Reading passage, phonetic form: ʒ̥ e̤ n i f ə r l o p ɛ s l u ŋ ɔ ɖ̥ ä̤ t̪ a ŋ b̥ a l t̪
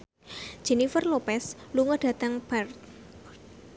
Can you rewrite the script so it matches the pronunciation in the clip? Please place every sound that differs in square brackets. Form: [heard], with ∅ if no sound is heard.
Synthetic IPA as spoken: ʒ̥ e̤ n i f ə r l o p ɛ s l u ŋ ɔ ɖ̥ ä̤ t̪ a ŋ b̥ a [r] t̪